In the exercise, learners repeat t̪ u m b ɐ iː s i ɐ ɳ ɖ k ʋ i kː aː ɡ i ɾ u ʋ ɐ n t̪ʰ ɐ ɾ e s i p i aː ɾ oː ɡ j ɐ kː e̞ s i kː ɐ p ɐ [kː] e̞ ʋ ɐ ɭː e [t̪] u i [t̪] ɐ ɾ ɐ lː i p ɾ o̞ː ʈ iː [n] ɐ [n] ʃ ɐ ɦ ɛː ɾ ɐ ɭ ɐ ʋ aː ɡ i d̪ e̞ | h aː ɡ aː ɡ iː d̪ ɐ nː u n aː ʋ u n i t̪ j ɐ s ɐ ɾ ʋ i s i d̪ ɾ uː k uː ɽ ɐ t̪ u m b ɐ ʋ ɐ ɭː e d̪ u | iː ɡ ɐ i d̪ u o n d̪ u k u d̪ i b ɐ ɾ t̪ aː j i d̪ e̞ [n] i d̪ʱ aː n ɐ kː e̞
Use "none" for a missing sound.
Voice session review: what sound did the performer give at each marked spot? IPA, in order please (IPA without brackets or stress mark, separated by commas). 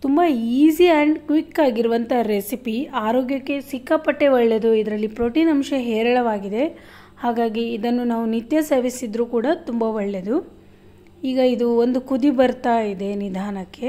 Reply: ʈː, d̪, d̪, n, m, n